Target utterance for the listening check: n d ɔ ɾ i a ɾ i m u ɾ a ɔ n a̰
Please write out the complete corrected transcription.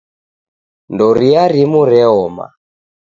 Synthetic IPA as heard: n d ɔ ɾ i a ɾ i m u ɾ ɛ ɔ m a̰